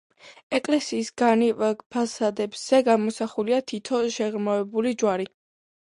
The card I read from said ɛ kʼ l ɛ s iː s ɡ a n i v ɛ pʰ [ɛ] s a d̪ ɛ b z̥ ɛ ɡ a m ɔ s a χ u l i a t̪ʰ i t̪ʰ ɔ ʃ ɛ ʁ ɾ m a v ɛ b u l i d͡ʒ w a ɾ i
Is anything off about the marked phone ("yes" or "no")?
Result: yes